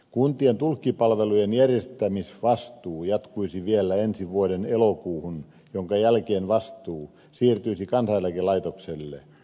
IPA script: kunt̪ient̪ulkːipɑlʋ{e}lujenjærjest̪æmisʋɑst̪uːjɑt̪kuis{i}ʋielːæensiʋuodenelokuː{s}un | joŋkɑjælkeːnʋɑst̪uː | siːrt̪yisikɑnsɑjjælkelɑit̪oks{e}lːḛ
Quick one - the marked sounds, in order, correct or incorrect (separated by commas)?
correct, correct, incorrect, correct